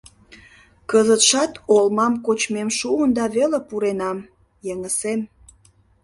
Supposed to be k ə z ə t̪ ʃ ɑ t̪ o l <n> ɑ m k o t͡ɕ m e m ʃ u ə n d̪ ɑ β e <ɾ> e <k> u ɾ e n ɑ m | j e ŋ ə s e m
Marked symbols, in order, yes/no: no, no, no

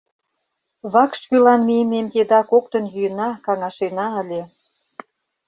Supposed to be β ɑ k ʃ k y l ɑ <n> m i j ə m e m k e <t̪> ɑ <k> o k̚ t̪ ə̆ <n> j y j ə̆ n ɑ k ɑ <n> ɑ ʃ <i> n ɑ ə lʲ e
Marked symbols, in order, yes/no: yes, no, yes, yes, no, no

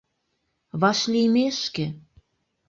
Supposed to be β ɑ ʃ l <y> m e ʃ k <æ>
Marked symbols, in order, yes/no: no, no

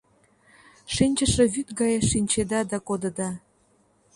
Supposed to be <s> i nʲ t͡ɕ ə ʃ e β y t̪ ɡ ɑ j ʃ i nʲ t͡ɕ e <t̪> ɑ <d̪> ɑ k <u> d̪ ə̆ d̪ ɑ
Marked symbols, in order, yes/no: no, no, yes, no

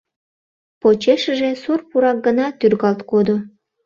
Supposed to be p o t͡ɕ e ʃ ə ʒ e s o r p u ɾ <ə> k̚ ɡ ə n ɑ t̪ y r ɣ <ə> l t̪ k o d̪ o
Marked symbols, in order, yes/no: no, no

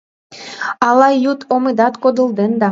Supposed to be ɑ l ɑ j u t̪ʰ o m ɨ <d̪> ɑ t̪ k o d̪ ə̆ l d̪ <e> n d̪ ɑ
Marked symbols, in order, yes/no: yes, yes

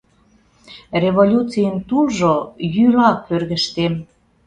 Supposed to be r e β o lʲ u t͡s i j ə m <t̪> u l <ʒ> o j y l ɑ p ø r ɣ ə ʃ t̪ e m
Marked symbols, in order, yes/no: yes, yes

